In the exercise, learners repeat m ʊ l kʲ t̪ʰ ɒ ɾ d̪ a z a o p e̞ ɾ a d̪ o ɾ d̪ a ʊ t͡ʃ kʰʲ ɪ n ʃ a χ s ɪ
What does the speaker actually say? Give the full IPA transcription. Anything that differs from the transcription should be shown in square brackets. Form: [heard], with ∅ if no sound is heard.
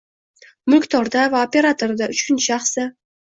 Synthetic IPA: m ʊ l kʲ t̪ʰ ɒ ɾ d̪ a [v] a o p e̞ ɾ a [t̪] o ɾ d̪ a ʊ t͡ʃ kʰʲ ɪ n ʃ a χ s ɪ